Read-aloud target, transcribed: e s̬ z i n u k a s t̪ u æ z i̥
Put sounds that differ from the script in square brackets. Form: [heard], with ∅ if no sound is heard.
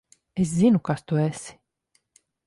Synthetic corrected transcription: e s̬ z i n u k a s t̪ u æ [s] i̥